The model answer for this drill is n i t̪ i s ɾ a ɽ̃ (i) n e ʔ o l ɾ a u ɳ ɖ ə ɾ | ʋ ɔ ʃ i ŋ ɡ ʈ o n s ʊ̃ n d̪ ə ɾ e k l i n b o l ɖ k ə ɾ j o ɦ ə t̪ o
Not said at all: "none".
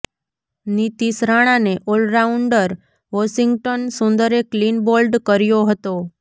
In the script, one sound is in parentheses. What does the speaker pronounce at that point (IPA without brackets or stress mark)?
a